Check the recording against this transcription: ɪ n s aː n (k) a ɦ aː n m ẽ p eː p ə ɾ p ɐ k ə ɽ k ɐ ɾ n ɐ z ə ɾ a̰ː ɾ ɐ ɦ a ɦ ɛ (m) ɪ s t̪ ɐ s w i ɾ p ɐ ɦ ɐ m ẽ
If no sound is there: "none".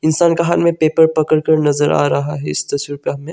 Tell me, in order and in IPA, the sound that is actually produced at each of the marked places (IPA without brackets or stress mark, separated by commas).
k, none